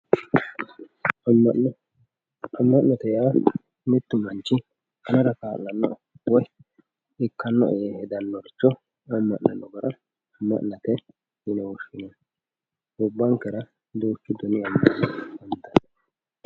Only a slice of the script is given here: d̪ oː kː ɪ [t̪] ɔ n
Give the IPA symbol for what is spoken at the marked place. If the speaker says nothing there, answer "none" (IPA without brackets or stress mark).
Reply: d̪